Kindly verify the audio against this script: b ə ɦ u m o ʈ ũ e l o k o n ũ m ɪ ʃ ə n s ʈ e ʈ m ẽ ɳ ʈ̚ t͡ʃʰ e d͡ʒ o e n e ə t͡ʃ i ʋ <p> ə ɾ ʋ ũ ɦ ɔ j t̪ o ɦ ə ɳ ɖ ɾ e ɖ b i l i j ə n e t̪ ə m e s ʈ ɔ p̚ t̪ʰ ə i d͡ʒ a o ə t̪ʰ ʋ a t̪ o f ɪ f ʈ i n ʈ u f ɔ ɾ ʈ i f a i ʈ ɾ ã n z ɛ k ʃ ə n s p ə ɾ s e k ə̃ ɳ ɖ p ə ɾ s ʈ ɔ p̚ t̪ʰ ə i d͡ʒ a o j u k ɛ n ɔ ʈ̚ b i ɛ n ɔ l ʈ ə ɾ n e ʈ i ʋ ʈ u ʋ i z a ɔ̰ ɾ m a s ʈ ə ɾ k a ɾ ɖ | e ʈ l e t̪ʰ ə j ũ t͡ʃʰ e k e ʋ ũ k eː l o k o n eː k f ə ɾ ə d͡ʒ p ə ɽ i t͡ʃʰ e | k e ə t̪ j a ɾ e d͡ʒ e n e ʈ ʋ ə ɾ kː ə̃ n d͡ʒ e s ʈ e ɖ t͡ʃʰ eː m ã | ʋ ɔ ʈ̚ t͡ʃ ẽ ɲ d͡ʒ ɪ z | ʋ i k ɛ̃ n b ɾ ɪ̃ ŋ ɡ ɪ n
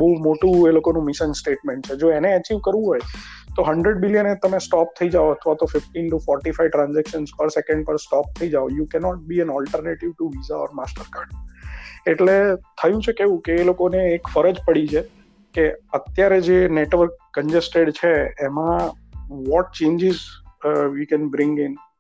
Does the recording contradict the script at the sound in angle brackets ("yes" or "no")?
yes